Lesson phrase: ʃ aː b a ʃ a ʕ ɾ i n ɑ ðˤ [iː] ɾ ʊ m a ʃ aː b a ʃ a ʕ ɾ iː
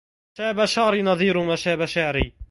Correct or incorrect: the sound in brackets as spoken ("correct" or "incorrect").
correct